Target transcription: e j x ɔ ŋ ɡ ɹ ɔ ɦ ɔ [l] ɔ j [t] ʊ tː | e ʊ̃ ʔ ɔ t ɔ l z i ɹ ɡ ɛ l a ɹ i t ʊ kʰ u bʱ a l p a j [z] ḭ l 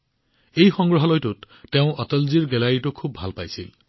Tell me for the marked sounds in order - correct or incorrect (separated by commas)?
correct, correct, incorrect